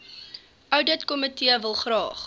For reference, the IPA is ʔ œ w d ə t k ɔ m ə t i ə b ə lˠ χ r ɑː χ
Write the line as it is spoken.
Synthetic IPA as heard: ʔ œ w d ə t k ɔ m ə t i ə v ə lˠ χ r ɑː χ

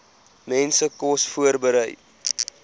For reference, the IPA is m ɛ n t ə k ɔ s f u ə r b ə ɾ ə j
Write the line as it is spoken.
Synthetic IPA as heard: m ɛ n s ə k ɔ s f u ə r b ə ɾ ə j

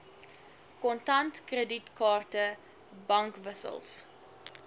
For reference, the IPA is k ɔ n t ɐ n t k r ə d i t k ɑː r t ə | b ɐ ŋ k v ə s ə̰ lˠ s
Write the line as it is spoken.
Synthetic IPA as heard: k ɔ n t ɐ n t k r ə d i t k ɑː r t ə | b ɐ ŋ k v ə s ə̰ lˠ s

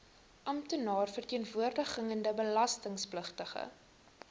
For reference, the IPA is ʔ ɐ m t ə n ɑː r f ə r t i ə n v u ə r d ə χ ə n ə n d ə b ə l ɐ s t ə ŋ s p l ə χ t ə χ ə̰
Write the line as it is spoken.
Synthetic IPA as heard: ʔ ɐ m t ə n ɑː r f ə r t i ə n v u ə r d ə χ ə ŋ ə n d ə b ə l ɐ s t ə ŋ s p l ə χ t ə χ ə̰

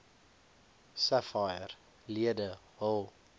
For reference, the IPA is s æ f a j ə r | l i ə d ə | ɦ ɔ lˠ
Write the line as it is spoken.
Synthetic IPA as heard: s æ f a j ə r | l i ə d ə | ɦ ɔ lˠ

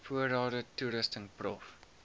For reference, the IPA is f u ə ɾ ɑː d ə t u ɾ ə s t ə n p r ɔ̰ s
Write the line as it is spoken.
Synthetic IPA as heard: f u ə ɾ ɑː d ə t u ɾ ə s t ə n p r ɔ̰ f

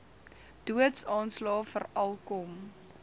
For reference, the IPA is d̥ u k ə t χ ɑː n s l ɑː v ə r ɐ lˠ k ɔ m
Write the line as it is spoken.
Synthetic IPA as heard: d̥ u ə t s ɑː n s l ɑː f ə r ɐ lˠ k ɔ m

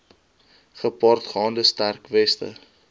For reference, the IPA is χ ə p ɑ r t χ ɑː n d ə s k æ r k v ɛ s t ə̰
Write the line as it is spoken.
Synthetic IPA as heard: χ ə p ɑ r t χ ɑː n d ə s t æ r k v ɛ s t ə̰

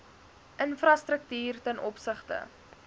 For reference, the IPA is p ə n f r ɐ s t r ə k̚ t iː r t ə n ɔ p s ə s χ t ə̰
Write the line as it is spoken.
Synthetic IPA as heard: ʔ ə n f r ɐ s t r ə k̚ t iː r t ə n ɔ p s ə χ t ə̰

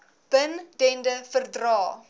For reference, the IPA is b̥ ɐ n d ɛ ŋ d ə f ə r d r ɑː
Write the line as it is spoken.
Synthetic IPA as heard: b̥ ə n d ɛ n d ə f ə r d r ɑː

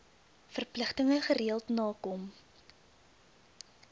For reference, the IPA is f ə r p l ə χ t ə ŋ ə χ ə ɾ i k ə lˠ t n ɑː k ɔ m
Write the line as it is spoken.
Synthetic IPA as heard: f ə r p l ə χ t ə ŋ ə χ ə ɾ i ə lˠ t n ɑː k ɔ m

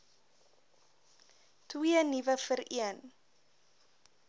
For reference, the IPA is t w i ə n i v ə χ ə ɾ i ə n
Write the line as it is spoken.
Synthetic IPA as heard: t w i ə n i v ə f ə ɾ i ə n

